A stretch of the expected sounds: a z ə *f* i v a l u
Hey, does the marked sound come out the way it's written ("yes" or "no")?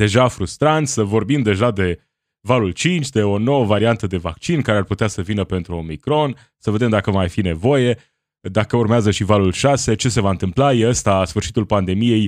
no